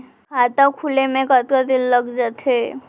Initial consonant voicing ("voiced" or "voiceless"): voiceless